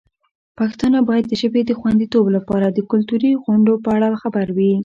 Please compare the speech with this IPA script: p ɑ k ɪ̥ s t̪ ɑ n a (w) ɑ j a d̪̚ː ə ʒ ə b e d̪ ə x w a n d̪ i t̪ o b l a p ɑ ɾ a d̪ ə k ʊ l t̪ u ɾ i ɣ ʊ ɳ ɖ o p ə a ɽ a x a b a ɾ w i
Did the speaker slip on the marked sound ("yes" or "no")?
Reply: yes